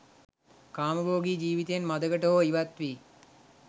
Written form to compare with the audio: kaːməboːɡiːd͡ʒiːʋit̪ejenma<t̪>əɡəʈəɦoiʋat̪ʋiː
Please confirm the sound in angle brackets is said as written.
no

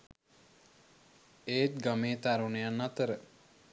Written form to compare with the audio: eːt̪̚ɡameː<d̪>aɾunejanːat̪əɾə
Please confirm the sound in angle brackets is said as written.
no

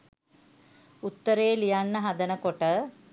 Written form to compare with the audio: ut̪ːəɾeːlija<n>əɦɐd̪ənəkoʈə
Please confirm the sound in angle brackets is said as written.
no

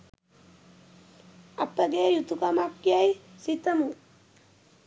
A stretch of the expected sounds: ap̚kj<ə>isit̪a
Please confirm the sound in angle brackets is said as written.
no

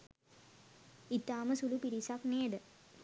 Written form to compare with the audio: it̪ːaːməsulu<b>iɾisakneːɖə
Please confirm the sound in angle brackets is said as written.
no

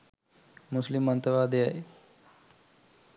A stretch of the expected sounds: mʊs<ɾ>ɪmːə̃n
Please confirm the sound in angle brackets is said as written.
no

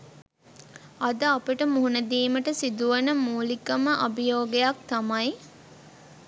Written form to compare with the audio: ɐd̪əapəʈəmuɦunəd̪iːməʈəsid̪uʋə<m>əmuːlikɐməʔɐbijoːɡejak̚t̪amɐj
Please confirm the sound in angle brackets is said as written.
no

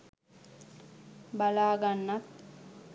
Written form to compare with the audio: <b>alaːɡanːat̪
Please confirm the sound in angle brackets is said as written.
yes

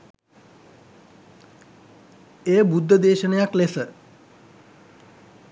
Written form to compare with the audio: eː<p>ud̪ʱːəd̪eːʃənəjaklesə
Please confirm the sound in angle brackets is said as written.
no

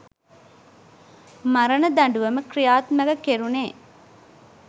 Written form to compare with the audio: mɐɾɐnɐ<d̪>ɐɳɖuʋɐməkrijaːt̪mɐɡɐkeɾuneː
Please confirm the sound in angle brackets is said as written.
yes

